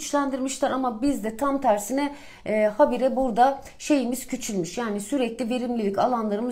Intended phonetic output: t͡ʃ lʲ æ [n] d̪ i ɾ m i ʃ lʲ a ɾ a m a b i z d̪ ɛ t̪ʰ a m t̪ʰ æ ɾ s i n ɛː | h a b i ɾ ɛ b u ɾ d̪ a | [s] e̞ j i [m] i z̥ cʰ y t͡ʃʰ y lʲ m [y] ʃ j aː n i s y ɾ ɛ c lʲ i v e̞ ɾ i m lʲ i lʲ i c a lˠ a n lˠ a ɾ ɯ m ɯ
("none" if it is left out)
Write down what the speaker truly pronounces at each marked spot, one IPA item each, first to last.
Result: n, ʃ, m, y

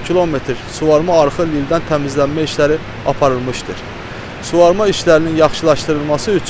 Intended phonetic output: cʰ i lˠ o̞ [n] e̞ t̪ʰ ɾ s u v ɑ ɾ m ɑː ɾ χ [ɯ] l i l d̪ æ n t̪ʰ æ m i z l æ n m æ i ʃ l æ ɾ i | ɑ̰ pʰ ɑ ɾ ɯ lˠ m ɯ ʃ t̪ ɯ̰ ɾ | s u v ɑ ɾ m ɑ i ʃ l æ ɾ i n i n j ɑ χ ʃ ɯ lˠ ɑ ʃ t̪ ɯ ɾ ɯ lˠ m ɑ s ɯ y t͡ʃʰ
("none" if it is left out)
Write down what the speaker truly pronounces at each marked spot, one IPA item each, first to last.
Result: m, ɯ

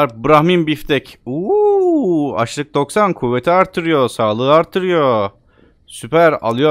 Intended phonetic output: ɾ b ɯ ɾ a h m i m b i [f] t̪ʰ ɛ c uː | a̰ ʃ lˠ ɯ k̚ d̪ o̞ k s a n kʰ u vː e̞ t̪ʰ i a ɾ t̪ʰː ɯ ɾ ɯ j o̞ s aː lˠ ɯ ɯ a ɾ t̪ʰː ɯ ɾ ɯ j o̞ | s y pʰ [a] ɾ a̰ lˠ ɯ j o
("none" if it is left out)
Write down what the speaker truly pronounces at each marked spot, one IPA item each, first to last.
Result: f, æ

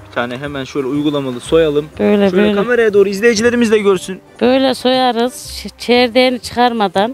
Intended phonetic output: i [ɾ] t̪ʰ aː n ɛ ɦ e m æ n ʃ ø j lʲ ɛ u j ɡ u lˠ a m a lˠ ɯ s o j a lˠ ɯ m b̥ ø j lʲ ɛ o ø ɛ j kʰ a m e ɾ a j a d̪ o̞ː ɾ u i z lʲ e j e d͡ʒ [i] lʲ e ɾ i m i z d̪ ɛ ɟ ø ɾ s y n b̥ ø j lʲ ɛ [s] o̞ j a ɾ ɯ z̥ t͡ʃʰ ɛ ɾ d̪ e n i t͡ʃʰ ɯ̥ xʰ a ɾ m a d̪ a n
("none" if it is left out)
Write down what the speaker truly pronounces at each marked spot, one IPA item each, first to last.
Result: none, i, s

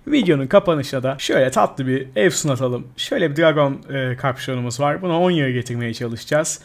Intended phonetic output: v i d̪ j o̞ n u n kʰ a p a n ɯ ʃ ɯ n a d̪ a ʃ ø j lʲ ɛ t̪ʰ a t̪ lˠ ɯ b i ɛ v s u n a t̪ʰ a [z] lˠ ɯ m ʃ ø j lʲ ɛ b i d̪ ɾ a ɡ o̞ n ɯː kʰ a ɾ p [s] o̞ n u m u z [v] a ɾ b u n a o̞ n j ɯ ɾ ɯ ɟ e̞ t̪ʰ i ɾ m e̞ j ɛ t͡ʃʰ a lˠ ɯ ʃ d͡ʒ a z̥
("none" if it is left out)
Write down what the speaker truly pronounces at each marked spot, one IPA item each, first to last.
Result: none, ʃ, v

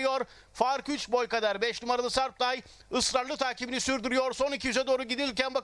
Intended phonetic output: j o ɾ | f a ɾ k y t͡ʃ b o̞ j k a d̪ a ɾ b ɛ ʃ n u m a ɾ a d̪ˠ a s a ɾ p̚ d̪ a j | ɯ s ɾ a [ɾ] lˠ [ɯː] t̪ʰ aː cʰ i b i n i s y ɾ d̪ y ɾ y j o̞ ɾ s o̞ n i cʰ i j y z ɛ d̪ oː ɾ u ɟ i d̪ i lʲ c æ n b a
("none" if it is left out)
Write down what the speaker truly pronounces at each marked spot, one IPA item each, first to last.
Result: ɾ, ɯ

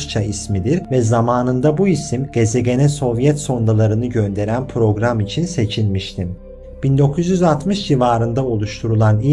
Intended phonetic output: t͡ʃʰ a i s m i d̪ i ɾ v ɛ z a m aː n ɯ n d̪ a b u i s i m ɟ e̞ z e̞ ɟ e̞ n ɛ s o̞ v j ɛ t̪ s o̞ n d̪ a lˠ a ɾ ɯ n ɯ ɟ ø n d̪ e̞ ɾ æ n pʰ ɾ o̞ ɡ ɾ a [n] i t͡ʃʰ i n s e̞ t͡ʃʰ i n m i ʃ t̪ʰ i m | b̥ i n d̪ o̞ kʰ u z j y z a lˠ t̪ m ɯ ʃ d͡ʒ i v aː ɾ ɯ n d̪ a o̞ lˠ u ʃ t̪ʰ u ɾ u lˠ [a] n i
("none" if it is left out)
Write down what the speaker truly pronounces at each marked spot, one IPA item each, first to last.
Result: m, a

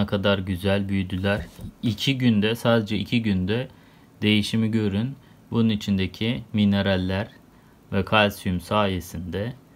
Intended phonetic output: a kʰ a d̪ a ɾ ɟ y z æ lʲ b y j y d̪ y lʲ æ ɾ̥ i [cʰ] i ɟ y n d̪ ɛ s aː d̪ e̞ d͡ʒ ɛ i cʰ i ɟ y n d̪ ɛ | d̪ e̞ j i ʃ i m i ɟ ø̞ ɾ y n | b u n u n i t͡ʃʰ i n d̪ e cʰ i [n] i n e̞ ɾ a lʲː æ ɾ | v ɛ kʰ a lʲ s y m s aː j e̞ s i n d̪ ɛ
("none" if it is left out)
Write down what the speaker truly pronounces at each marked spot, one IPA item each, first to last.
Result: cʰ, m

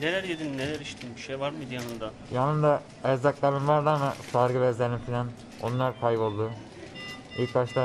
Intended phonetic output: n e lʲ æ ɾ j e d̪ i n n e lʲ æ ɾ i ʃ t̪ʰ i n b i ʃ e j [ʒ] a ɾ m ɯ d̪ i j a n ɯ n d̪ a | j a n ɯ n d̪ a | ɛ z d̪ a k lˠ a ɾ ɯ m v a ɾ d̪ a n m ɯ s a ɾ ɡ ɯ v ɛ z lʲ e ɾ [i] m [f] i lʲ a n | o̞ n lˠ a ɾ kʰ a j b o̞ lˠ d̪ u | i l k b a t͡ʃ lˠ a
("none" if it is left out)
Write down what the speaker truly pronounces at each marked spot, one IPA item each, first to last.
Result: v, i, f

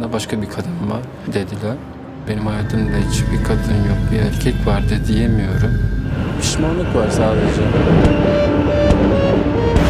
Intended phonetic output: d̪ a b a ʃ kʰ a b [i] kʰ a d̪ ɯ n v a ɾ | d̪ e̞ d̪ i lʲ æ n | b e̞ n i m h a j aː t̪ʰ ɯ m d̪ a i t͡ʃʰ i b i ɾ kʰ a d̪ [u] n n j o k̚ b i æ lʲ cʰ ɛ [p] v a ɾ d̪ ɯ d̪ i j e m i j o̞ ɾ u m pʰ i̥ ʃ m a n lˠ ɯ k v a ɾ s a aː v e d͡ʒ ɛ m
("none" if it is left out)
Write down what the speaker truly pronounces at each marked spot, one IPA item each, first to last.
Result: i, ɯ, c

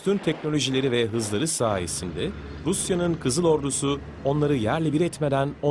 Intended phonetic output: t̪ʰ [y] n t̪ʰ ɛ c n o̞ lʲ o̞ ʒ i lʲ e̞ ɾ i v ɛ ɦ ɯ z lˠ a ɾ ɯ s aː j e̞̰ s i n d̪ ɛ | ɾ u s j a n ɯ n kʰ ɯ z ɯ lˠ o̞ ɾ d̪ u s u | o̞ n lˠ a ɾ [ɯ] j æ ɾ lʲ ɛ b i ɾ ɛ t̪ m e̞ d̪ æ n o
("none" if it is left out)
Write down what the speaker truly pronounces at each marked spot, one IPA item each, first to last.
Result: y, ɯ

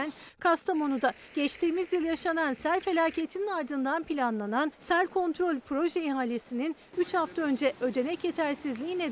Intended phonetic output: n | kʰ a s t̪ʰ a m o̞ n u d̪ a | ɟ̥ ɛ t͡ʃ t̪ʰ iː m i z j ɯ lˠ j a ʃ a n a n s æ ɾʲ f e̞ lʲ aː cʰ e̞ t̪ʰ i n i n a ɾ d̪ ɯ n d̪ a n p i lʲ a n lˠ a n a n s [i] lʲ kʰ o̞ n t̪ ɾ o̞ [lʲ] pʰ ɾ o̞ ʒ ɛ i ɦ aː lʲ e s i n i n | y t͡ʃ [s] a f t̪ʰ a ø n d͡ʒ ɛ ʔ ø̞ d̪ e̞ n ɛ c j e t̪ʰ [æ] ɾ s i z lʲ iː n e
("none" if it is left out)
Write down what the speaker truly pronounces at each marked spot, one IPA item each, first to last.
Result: æ, lʲ, h, æ

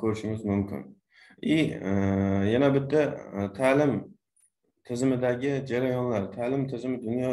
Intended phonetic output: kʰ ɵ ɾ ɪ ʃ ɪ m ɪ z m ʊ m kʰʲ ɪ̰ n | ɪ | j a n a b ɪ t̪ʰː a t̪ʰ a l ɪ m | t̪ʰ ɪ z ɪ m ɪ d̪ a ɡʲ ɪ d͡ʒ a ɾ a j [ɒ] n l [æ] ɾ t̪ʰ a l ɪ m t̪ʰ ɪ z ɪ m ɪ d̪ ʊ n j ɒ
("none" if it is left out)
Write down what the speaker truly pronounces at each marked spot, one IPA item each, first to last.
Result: ɒ, a

